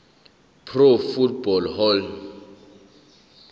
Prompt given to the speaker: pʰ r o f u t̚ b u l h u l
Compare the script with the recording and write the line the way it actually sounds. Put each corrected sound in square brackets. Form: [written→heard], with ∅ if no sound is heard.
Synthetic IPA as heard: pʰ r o f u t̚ b [u→ɔ] l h [u→ɔ] l